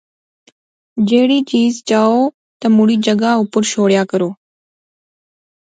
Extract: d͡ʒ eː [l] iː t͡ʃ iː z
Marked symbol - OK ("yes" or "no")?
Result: no